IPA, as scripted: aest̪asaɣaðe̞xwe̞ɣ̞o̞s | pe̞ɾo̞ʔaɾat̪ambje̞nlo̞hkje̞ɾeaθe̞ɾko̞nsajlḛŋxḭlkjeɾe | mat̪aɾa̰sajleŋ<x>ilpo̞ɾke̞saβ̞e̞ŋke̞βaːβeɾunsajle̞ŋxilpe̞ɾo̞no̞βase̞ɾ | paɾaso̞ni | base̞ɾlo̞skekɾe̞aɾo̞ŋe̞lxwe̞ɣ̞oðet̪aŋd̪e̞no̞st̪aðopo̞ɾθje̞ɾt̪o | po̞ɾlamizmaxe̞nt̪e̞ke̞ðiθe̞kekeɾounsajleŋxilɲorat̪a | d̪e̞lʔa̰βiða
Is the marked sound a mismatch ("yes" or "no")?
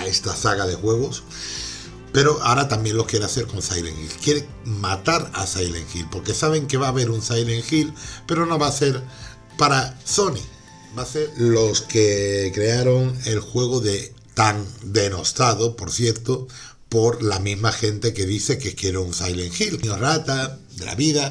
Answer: no